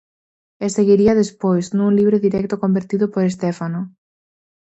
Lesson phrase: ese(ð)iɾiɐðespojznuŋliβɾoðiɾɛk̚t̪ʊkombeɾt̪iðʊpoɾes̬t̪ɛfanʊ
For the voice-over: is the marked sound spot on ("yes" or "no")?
no